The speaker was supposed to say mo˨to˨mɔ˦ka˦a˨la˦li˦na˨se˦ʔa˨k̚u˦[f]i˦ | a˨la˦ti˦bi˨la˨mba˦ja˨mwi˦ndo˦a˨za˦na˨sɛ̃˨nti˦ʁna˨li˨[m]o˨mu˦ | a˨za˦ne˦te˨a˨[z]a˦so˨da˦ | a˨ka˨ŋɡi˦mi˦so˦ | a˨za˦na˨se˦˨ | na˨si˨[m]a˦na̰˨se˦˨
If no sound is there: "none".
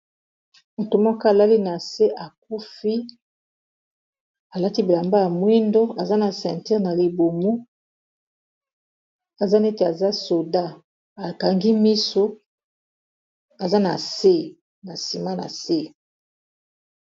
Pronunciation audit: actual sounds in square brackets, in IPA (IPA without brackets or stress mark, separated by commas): f, b, z, m